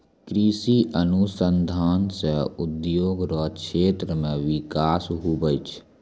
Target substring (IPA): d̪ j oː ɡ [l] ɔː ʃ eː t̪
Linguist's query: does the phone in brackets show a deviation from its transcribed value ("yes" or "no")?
yes